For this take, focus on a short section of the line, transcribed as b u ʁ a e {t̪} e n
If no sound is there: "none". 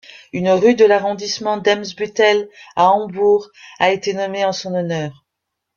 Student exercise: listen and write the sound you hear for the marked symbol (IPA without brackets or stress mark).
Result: t̪